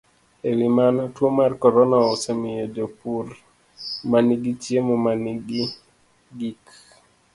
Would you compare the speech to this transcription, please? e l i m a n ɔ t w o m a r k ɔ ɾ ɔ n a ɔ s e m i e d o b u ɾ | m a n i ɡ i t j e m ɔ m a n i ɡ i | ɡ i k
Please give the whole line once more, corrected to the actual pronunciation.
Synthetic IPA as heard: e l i m a n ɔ t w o m a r k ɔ ɾ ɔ n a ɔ s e m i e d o p u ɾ | m a n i ɡ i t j e m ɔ m a n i ɡ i | ɡ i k